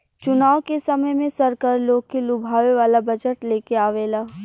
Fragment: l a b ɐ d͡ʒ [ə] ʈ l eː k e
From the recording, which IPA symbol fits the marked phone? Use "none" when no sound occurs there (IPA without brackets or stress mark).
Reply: ə